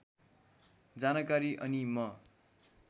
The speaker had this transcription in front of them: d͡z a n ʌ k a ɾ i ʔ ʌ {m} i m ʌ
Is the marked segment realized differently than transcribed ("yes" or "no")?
yes